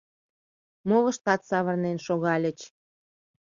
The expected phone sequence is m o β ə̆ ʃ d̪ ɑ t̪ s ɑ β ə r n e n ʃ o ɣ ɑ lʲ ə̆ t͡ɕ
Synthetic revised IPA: m o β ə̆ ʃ t̪ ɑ t̪ s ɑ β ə r n e n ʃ o ɣ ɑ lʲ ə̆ t͡ɕ